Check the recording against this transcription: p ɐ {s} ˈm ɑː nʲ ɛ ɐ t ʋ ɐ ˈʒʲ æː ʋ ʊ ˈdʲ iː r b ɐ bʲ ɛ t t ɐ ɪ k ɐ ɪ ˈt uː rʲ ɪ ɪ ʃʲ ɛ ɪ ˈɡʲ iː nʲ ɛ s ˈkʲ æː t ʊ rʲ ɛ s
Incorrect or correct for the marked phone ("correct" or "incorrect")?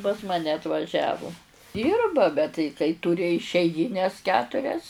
correct